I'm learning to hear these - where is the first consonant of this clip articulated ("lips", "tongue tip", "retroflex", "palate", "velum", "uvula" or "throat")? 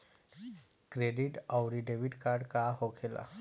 velum